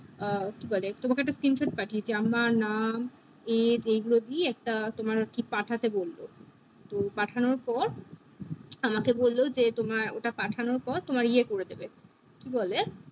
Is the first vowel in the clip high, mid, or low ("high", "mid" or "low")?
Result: high